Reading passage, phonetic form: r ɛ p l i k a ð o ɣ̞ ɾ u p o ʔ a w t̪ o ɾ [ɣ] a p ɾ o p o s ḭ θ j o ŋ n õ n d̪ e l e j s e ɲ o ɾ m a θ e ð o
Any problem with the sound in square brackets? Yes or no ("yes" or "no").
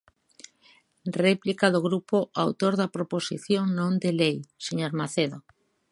yes